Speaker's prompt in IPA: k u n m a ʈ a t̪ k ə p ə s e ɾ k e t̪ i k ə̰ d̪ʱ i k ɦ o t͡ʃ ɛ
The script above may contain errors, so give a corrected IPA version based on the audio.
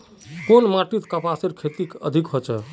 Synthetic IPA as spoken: k o n m a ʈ i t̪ k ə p a s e ɾ kʰ e t̪ i k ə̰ d̪ʱ i k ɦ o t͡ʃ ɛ

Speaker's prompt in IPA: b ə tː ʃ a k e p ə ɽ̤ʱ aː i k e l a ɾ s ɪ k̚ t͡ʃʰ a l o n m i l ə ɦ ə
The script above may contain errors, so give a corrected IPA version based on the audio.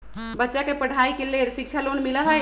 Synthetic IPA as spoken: b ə tː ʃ a k e p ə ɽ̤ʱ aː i k e l e ɾ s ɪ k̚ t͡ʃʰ a l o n m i l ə ɦ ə

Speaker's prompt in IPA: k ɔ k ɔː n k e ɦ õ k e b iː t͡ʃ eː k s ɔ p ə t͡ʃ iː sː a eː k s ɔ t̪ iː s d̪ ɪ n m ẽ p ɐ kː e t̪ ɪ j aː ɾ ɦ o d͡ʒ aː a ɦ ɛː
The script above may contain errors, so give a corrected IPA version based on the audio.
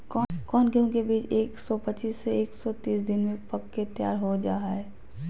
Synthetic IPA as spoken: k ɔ k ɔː n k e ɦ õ k e b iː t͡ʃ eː k s ɔ p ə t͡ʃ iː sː e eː k s ɔ t̪ iː s d̪ ɪ n m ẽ p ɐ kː e t̪ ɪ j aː ɾ ɦ o d͡ʒ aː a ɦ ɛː

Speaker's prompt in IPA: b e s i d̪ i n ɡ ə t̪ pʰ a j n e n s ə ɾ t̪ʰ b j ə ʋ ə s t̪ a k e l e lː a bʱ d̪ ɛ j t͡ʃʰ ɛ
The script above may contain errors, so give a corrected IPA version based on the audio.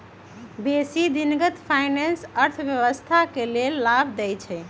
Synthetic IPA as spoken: b e s i d̪ i n ɡ ə t̪ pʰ a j n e n s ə ɾ t̪ʰ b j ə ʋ ə s t̪ʰ a k e l e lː a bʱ d̪ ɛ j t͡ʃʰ ɛ

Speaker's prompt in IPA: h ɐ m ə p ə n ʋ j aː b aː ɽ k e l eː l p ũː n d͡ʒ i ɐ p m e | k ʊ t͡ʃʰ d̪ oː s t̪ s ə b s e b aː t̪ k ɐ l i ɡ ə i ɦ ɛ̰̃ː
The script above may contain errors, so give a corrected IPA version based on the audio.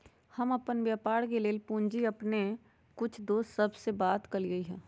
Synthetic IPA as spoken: h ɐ m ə p ə n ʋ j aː p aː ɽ k e l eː l p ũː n d͡ʒ i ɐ p n e | k ʊ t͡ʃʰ d̪ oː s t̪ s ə b s e b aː t̪ k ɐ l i ɡ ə i ɦ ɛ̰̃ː

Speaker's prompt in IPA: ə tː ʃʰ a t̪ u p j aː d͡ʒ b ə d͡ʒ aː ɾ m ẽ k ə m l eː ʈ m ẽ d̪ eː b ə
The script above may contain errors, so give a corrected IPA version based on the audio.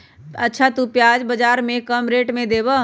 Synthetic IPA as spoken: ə tː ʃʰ a t̪ u p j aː d͡ʒ b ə d͡ʒ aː ɾ m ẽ k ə m ɾ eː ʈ m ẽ d̪ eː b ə

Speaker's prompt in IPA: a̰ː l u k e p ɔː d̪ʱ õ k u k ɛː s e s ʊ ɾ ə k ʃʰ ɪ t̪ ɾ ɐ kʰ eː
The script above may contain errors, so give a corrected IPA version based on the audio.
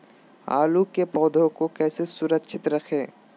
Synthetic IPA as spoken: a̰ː l u k e p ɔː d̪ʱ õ k o k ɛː s e s ʊ ɾ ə k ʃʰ ɪ t̪ ɾ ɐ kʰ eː

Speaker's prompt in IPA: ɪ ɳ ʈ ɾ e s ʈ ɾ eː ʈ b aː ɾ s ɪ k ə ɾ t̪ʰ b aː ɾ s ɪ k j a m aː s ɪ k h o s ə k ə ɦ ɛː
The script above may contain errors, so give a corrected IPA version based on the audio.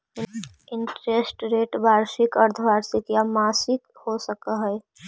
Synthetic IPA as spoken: ɪ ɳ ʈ ɾ e s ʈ ɾ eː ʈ b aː ɾ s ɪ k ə ɾ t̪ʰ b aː ɾ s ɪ k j a m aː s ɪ k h o s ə k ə ɦ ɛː

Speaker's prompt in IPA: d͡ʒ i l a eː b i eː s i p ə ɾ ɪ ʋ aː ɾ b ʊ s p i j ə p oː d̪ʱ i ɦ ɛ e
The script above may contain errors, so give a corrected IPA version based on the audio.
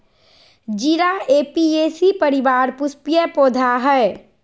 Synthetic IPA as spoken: d͡ʒ i ɾ a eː p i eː s i p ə ɾ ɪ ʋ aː ɾ p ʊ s p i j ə p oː d̪ʱ a ɦ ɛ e

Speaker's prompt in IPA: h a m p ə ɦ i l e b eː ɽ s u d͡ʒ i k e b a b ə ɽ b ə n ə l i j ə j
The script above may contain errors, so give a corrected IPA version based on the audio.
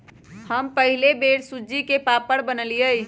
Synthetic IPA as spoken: h ə m p ə ɦ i l e b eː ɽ s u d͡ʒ i k e p a p ə ɽ b ə n ə l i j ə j

